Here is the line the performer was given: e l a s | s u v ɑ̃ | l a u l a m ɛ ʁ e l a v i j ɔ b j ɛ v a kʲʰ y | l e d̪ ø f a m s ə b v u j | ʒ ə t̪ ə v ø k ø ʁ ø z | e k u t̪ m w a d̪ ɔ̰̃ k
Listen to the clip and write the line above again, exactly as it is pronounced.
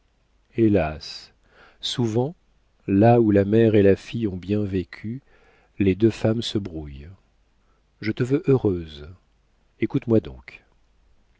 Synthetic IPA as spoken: e l a s | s u v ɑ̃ | l a u l a m ɛ ʁ e l a f i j ɔ̃ b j ɛ̃ v e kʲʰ y | l e d̪ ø f a m s ə b ʁ u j | ʒ ə t̪ ə v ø ʔ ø ʁ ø z | e k u t̪ m w a d̪ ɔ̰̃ k